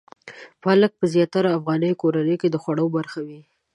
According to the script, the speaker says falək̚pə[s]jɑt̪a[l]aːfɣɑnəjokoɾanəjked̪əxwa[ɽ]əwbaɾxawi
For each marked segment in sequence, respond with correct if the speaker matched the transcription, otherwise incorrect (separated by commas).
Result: incorrect, incorrect, correct